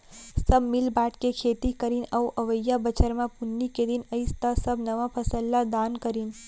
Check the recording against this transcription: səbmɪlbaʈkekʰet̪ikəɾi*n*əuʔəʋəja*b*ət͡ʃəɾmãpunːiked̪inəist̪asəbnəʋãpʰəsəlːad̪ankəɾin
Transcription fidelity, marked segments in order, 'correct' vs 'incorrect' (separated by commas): correct, correct